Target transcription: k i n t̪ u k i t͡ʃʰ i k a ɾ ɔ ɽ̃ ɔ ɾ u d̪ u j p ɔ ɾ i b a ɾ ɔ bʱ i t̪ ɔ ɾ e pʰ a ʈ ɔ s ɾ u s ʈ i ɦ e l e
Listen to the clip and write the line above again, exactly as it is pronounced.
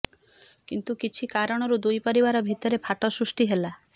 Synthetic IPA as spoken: k i n t̪ u k i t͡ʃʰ i k a ɾ ɔ ɽ̃ ɔ ɾ u d̪ u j p ɔ ɾ i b a ɾ ɔ bʱ i t̪ ɔ ɾ e pʰ a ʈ ɔ s ɾ u s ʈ i ɦ e l a